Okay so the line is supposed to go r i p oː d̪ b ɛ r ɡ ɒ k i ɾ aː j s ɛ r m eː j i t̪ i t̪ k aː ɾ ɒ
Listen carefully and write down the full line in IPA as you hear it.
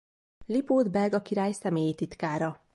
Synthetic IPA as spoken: l i p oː d̪ b ɛ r ɡ ɒ k i ɾ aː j s ɛ m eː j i t̪ i t̪ k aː ɾ ɒ